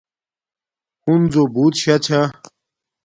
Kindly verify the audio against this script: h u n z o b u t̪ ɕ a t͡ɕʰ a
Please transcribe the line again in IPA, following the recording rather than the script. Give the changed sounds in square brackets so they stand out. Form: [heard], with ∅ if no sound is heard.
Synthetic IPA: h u n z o b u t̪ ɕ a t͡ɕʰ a